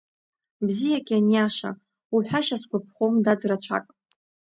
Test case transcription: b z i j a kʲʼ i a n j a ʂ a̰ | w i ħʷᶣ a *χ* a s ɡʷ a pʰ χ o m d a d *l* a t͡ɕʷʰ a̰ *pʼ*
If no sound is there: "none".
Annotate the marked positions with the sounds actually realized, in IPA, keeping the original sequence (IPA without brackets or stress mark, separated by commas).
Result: ʃ, r, kʼ